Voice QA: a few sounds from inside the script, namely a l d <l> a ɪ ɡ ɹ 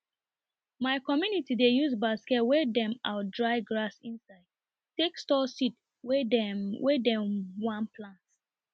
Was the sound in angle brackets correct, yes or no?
no